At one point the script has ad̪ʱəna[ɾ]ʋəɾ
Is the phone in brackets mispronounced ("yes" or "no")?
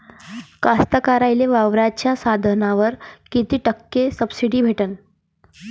yes